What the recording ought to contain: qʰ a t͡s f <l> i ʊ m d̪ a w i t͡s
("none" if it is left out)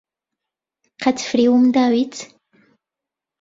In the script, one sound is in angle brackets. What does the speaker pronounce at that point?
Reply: ɾ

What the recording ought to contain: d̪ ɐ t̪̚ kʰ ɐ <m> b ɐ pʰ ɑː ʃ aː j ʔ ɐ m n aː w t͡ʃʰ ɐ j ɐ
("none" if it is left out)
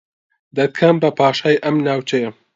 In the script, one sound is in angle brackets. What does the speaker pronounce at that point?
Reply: m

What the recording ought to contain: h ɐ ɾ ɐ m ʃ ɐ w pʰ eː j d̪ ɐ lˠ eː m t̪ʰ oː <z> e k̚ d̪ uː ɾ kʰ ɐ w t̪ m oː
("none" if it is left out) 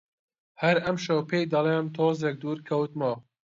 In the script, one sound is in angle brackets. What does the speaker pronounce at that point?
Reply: z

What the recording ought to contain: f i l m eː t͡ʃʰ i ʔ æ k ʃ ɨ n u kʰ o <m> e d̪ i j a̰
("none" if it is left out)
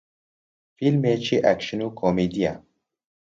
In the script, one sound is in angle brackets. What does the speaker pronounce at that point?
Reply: m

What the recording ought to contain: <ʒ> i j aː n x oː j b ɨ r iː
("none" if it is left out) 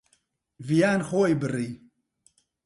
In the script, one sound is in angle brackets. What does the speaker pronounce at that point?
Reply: v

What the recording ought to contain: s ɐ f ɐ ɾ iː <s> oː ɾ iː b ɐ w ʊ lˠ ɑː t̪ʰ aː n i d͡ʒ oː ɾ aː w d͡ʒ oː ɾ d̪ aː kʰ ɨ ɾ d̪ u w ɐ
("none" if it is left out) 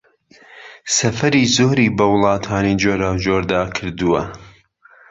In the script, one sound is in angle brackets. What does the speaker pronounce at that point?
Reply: z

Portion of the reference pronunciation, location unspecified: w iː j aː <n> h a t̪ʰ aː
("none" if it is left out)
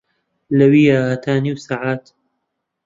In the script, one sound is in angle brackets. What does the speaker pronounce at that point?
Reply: none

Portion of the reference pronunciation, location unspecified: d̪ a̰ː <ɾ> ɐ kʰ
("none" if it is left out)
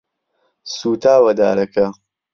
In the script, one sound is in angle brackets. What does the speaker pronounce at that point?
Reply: ɾ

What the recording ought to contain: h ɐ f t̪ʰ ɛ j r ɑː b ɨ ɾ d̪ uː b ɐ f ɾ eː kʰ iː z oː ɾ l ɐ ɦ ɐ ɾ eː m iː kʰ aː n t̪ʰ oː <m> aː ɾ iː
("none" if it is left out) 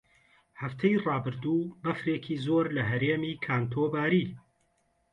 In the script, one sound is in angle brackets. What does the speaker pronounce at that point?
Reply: b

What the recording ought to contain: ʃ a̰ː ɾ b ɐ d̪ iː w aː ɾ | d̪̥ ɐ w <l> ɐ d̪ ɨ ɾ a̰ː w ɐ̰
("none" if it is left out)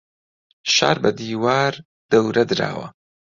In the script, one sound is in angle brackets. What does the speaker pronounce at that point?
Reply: ɾ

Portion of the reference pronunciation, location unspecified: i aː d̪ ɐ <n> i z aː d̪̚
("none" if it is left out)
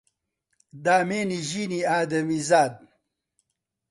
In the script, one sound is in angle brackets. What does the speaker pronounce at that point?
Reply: m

